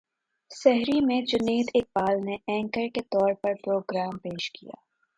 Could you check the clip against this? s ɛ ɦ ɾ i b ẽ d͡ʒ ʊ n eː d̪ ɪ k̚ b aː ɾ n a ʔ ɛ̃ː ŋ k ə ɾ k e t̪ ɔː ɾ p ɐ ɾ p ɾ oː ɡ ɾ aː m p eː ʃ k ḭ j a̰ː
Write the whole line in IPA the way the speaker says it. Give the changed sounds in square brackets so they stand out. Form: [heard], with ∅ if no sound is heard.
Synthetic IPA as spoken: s ɛ ɦ ɾ i [m] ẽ d͡ʒ ʊ n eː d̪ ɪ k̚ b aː [l] n [e] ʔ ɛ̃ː ŋ k ə ɾ k e t̪ ɔː ɾ p ɐ ɾ p ɾ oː ɡ ɾ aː m p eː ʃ k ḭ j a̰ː

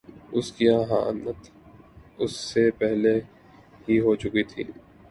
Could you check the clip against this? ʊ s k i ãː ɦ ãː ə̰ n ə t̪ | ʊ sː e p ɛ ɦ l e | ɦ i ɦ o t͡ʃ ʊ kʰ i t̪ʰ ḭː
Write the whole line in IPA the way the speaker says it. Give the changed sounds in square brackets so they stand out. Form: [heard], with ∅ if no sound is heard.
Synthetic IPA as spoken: ʊ s k i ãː ɦ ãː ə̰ n ə t̪ | ʊ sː e p ɛ ɦ l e | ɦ i ɦ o t͡ʃ ʊ [k] i t̪ʰ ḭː

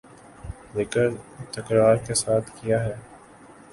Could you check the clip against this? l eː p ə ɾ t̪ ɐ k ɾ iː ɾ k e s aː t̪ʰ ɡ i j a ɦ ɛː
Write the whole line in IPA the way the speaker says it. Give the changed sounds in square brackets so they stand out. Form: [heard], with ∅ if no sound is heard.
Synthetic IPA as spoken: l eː [k] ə ɾ t̪ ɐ k ɾ [aː] ɾ k e s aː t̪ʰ [k] i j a ɦ ɛː

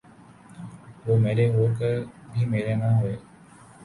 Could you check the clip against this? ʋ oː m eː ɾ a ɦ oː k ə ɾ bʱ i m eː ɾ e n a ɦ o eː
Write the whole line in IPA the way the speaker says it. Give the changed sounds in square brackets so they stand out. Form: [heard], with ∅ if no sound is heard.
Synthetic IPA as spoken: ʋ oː m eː ɾ [e] ɦ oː k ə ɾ bʱ i m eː ɾ e n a ɦ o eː

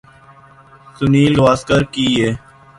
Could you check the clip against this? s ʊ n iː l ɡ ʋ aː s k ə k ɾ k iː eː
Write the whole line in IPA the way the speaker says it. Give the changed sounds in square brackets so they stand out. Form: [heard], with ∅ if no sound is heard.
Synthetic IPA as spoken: s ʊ n iː l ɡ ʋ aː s k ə [∅] ɾ k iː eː

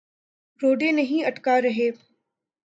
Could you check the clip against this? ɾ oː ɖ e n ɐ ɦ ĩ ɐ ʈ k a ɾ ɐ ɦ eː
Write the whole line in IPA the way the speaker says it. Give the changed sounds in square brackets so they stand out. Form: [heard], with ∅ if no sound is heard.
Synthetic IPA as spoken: ɾ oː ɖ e n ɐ ɦ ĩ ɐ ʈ k a ɾ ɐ ɦ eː

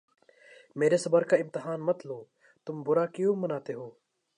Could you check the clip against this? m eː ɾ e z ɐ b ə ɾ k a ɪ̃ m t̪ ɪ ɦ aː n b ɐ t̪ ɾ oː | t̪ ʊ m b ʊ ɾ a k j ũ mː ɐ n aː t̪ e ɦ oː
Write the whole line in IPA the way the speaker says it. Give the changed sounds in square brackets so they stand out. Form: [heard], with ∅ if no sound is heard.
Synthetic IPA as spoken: m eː ɾ e [s] ɐ b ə ɾ k a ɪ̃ m t̪ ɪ ɦ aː n [m] ɐ t̪ [l] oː | t̪ ʊ m b ʊ ɾ a k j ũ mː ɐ n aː t̪ e ɦ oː

